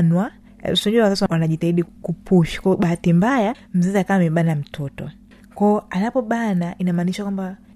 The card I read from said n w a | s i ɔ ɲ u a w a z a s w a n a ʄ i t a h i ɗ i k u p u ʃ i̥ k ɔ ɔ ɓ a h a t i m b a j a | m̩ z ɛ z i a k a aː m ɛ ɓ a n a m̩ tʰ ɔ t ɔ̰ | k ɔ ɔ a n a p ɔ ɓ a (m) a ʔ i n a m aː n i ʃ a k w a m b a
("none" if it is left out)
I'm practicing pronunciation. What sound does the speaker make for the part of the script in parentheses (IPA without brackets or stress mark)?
n